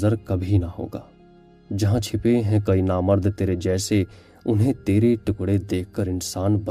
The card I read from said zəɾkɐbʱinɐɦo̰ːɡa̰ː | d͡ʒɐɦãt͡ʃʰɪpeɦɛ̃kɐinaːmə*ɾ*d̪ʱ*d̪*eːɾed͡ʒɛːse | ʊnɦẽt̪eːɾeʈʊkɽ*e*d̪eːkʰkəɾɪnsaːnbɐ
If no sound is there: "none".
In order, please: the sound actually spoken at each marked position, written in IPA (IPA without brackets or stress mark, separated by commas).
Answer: ɾ, t̪, e